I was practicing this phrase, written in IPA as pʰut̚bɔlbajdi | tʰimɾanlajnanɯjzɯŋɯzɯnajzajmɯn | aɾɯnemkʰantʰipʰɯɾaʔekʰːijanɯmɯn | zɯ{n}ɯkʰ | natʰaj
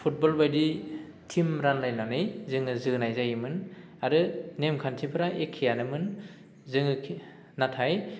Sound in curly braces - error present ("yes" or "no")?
yes